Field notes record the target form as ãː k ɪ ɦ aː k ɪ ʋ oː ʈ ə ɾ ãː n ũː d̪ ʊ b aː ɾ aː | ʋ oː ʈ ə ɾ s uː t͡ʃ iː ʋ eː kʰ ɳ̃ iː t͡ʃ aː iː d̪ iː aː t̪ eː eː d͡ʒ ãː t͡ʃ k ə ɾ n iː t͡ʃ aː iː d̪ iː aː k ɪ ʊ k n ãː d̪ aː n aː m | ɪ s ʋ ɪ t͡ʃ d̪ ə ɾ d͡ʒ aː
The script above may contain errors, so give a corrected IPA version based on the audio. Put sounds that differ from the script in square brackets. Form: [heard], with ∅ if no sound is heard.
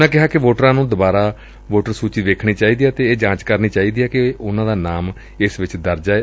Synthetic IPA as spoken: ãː k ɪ ɦ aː k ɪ ʋ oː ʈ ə ɾ ãː n ũː d̪ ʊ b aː ɾ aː | ʋ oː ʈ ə ɾ s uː t͡ʃ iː ʋ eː kʰ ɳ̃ iː t͡ʃ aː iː d̪ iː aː t̪ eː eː d͡ʒ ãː t͡ʃ k ə ɾ n iː t͡ʃ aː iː d̪ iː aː k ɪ ʊ [∅] n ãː d̪ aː n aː m | ɪ s ʋ ɪ t͡ʃ d̪ ə ɾ d͡ʒ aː

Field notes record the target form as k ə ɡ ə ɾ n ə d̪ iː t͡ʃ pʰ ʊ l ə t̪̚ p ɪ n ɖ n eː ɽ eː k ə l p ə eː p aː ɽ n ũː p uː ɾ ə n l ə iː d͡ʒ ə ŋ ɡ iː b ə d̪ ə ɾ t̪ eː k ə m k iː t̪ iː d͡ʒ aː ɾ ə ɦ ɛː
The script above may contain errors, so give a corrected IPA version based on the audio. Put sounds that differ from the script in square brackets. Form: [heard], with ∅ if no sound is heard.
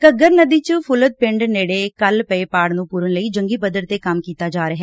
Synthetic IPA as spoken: k ə ɡ ə ɾ n ə d̪ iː t͡ʃ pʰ ʊ l ə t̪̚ p ɪ [ɳ] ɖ n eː ɽ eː k ə l p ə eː p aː ɽ n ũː p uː ɾ ə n l ə iː d͡ʒ ə ŋ ɡ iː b ə d̪ ə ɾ t̪ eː k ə m k iː t̪ [aː] d͡ʒ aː ɾ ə ɦ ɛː

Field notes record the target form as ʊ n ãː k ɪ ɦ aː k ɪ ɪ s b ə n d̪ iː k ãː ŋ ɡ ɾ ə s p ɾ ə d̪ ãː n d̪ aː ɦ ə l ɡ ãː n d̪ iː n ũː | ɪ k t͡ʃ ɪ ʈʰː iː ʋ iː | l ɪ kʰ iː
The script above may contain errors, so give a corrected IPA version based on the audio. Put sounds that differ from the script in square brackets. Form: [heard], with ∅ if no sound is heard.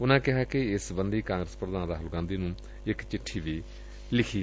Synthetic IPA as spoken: ʊ n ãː k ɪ ɦ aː k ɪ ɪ s b ə n d̪ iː k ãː ŋ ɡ ɾ ə s p ɾ ə d̪ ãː n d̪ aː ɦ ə l ɡ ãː n d̪ iː n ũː | ɪ k t͡ʃ ɪ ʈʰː iː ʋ iː | l ɪ kʰ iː

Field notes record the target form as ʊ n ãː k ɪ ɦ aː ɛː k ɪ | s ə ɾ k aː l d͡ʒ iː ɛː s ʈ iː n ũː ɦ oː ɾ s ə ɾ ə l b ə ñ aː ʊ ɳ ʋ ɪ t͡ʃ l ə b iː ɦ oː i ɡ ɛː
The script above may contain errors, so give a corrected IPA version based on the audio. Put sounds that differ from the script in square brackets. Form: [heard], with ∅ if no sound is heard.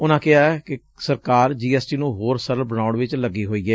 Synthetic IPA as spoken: ʊ n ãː k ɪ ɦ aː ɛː k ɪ | s ə ɾ k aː [ɾ] d͡ʒ iː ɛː s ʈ iː n ũː ɦ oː ɾ s ə ɾ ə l b ə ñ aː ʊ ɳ ʋ ɪ t͡ʃ l ə [ɡ] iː ɦ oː [iː] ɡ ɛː

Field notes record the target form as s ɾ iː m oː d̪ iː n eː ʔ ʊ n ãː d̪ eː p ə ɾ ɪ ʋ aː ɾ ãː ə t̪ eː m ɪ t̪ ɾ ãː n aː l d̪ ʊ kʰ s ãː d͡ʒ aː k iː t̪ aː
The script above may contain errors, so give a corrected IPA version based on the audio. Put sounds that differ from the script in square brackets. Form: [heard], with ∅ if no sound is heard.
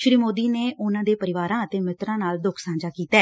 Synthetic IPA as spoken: [ʃ] ɾ iː m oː d̪ iː n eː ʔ ʊ n ãː d̪ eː p ə ɾ ɪ ʋ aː ɾ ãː ə t̪ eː m ɪ t̪ ɾ ãː n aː l d̪ ʊ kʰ s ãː d͡ʒ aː k iː t̪ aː

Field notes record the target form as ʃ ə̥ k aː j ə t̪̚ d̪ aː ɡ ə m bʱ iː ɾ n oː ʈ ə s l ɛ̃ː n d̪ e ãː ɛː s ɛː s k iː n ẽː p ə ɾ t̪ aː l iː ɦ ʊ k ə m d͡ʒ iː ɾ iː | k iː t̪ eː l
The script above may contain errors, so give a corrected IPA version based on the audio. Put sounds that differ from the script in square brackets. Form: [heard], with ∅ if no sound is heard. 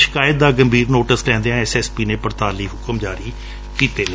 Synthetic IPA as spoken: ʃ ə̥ k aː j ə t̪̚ d̪ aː ɡ ə m bʱ iː ɾ n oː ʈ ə s l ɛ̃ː n d̪ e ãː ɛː s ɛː s [p] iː n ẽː p ə ɾ t̪ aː l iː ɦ ʊ k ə m d͡ʒ [aː] ɾ iː | k iː t̪ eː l

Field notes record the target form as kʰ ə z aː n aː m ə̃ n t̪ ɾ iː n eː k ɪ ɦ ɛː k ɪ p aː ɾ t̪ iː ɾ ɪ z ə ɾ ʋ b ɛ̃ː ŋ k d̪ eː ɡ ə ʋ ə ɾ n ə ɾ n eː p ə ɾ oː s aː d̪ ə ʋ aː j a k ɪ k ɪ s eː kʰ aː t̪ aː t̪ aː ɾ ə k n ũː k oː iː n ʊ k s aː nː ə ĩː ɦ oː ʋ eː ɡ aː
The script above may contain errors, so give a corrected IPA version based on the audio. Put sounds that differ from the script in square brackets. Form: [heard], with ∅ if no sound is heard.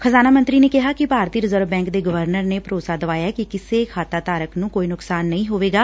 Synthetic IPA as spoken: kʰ ə z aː n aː m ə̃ n t̪ ɾ iː n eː k ɪ ɦ [aː] k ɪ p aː ɾ t̪ iː ɾ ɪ z ə ɾ ʋ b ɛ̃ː ŋ k d̪ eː ɡ ə ʋ ə ɾ n ə ɾ n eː p ə ɾ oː s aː d̪ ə ʋ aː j a k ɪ k ɪ s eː kʰ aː t̪ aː t̪ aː ɾ ə k n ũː k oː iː n ʊ k s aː nː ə ĩː ɦ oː ʋ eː ɡ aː

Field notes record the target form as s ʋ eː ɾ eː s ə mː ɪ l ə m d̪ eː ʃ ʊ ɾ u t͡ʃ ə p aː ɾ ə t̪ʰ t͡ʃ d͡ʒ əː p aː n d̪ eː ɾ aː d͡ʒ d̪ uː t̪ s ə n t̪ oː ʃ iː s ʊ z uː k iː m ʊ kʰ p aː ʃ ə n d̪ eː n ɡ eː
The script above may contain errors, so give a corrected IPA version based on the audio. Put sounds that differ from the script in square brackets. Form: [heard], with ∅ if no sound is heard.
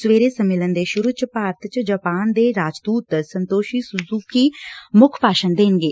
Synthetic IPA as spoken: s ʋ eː ɾ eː s ə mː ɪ l ə [n] d̪ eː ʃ ʊ ɾ u t͡ʃ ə p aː ɾ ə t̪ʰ t͡ʃ d͡ʒ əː p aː n d̪ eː ɾ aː d͡ʒ d̪ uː t̪ s ə n t̪ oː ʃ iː s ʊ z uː k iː m ʊ kʰ p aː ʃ ə n d̪ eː n ɡ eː

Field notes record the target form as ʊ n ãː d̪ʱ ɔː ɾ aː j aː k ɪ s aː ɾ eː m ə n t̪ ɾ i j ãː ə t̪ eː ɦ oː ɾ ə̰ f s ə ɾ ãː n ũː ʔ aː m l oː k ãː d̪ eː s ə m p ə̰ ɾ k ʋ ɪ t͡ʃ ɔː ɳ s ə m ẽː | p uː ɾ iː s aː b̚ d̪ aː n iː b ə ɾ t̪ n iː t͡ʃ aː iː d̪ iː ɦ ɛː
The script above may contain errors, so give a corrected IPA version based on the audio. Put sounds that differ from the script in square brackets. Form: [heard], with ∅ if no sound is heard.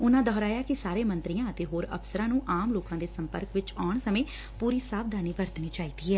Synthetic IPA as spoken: ʊ n ãː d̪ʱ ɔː ɾ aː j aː k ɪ s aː ɾ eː m ə n t̪ ɾ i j ãː ə t̪ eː ɦ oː ɾ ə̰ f s ə ɾ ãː n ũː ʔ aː m l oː k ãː d̪ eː s ə m p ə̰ ɾ k ʋ ɪ t͡ʃ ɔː ɳ s ə m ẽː | p uː ɾ iː s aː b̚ d̪ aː n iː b ə ɾ t̪ n iː t͡ʃ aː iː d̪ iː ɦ ɛː

